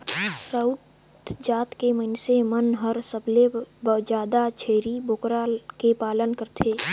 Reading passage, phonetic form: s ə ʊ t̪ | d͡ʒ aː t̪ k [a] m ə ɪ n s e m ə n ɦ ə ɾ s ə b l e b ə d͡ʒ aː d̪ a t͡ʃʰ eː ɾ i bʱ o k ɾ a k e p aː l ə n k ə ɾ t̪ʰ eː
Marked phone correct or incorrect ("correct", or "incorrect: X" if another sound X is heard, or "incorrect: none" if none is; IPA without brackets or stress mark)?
incorrect: e